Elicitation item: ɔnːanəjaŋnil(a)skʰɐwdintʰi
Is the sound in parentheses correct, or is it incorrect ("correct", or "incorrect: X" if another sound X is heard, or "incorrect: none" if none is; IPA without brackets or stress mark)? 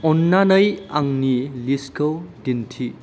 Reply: incorrect: i